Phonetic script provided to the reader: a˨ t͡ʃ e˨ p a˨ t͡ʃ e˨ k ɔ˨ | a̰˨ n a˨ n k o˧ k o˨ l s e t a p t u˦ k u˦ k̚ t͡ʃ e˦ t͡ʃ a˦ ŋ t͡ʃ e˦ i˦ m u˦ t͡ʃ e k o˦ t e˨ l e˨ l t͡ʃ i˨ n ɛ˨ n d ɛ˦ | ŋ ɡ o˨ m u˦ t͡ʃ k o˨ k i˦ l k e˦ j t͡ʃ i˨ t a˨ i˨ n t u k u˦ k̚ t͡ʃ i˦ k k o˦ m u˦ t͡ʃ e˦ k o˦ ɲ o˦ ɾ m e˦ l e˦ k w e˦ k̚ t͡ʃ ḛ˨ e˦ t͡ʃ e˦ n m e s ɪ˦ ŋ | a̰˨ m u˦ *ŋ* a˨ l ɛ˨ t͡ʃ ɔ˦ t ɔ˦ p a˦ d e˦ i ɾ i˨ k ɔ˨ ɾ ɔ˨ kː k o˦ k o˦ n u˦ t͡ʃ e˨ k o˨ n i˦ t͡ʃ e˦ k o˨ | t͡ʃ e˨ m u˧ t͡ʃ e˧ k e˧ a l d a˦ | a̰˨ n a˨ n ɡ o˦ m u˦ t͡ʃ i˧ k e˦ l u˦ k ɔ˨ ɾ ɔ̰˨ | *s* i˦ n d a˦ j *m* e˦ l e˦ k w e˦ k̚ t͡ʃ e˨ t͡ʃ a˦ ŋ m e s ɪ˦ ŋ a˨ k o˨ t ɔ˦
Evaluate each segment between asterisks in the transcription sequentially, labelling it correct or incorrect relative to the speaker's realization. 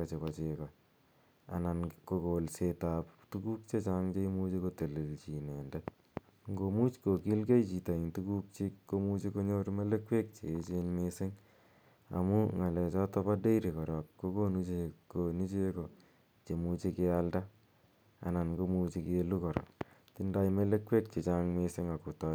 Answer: correct, incorrect: t, correct

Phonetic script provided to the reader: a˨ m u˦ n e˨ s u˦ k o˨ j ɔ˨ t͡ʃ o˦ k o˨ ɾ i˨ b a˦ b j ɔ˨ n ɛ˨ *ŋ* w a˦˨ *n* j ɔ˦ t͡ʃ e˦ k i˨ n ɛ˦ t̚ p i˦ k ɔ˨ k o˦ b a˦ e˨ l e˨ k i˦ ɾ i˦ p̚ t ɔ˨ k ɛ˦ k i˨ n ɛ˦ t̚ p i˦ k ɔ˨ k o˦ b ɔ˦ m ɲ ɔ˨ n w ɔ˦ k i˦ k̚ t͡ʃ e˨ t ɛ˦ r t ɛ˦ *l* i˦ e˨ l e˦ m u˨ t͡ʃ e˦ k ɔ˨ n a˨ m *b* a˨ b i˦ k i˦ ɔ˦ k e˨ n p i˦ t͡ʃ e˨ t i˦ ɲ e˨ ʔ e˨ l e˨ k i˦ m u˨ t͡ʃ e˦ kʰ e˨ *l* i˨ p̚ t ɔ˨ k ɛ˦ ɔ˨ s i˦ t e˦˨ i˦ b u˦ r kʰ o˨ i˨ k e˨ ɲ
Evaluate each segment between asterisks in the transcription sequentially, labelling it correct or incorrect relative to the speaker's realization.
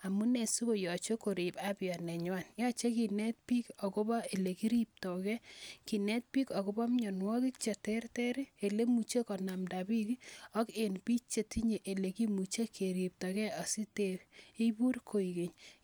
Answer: incorrect: ɲ, correct, incorrect: ɾ, incorrect: d, incorrect: ɾ

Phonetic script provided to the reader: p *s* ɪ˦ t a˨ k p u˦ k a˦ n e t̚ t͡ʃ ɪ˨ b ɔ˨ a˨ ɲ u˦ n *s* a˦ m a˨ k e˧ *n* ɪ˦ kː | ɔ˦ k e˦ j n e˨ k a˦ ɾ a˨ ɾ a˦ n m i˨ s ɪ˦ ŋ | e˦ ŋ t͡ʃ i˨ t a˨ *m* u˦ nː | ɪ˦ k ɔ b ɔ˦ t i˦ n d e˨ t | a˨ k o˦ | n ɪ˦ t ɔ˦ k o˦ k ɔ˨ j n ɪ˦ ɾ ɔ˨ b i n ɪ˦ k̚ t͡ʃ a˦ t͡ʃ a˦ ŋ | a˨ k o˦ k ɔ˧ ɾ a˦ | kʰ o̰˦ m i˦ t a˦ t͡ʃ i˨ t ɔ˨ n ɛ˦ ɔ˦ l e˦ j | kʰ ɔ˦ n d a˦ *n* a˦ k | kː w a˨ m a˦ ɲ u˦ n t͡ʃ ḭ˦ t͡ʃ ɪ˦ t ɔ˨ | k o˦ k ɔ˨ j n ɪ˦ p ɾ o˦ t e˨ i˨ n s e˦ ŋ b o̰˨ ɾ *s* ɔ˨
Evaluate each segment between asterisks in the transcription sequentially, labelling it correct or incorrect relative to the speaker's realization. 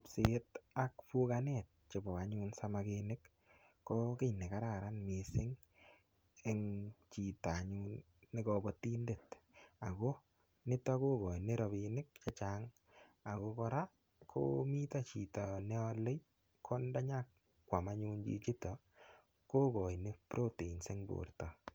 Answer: correct, correct, correct, incorrect: ɲ, incorrect: ɲ, incorrect: t

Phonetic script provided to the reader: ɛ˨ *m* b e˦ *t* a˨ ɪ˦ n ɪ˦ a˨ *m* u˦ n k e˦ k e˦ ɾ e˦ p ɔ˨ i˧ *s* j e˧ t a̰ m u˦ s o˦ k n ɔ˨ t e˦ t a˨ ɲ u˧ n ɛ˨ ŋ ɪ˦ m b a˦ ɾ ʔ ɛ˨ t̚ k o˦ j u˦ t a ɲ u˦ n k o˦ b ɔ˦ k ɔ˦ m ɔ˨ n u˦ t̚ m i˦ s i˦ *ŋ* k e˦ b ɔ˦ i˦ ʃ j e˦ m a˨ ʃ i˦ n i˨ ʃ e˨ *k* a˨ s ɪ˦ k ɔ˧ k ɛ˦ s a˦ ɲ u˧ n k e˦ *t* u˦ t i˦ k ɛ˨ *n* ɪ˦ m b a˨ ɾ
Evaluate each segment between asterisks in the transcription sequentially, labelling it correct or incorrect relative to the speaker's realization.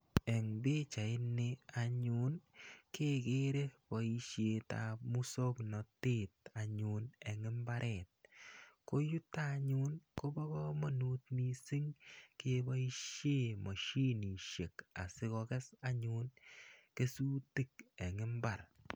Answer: incorrect: ŋ, incorrect: t͡ʃ, incorrect: ɲ, incorrect: ʃ, correct, correct, incorrect: s, incorrect: ŋ

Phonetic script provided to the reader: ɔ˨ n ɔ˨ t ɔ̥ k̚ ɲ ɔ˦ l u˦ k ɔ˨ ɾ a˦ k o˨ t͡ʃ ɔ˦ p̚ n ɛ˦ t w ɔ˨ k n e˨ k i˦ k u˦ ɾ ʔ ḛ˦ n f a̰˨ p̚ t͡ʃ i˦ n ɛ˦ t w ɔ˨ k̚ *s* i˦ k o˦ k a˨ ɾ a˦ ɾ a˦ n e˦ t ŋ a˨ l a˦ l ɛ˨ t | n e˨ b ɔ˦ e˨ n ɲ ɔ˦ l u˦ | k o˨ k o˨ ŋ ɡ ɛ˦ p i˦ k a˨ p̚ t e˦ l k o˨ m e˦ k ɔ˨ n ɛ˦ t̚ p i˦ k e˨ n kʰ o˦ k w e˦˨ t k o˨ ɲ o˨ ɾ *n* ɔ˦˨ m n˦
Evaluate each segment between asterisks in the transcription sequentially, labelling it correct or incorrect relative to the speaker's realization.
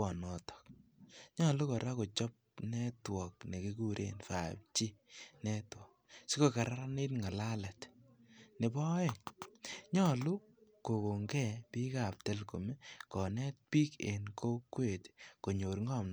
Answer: correct, incorrect: ŋ

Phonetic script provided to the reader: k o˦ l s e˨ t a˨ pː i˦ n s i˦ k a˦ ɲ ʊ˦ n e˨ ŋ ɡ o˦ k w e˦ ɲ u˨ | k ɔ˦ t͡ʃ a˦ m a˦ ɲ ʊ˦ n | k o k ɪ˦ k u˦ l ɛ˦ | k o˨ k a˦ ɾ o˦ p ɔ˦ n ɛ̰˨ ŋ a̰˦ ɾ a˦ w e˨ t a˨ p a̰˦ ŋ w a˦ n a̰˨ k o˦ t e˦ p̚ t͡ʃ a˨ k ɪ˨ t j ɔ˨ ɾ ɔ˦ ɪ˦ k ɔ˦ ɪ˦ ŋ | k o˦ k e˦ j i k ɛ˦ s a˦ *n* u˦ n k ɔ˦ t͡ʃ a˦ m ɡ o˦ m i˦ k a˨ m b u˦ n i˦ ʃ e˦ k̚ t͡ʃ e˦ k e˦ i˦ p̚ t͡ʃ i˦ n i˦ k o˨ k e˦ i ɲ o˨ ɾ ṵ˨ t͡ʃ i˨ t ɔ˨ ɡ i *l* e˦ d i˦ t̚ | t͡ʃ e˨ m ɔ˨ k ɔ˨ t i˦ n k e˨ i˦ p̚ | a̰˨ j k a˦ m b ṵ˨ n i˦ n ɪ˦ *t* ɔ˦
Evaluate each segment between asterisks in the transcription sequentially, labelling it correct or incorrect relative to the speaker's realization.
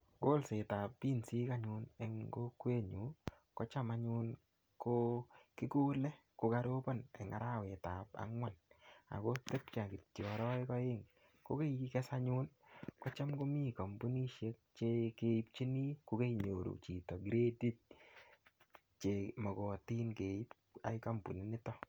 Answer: incorrect: ɲ, incorrect: ɾ, correct

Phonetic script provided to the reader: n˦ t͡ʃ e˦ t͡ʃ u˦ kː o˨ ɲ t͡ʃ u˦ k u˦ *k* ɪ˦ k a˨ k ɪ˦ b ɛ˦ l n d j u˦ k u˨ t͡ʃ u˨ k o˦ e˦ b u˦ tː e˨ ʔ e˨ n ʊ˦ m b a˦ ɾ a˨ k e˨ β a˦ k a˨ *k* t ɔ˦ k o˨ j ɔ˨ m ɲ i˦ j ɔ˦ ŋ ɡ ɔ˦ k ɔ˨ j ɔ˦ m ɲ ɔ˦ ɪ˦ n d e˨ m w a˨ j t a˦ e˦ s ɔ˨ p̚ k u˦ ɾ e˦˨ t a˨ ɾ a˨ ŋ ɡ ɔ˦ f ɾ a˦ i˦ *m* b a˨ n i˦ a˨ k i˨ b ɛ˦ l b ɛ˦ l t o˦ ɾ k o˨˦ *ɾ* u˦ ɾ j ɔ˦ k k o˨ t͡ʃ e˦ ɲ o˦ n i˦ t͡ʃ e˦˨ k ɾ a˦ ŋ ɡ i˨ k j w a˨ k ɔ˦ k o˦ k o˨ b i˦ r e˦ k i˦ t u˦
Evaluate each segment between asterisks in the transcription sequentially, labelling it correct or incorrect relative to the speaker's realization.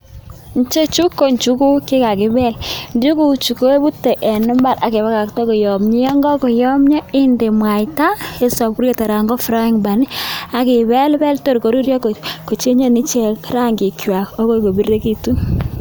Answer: correct, correct, incorrect: ŋ, correct

